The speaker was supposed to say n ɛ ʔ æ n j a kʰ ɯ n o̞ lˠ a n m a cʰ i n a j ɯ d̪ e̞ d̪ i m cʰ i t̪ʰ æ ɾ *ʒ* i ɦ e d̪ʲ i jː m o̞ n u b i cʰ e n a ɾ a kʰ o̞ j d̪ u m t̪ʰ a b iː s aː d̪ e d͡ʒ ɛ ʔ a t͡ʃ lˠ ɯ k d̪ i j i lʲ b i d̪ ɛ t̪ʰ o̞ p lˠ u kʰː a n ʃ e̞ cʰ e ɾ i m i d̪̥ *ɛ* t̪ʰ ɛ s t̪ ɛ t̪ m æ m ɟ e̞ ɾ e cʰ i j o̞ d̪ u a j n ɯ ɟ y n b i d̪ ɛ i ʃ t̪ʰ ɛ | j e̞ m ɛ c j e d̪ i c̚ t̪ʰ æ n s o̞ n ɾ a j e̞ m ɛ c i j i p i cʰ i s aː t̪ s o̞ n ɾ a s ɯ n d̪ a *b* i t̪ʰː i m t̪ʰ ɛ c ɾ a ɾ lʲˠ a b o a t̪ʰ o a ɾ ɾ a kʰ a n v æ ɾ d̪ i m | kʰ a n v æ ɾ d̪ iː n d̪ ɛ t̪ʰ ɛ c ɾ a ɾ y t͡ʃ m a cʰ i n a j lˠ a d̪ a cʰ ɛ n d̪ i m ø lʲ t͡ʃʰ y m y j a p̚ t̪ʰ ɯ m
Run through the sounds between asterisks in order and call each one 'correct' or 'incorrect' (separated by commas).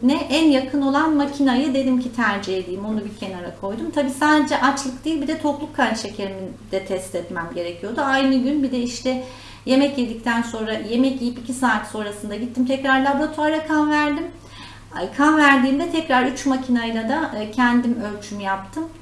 incorrect, correct, incorrect